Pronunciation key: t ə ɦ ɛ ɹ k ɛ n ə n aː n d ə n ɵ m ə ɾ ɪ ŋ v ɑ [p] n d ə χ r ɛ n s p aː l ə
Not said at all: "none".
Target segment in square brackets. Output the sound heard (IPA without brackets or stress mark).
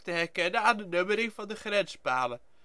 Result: none